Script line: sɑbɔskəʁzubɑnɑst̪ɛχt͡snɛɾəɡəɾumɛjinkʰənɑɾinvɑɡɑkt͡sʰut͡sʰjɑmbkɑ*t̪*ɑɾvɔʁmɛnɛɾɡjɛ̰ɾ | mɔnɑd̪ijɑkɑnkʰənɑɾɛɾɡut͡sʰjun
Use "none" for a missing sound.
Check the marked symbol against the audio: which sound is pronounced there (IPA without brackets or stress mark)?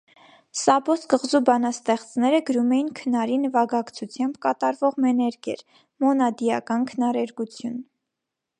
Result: t̪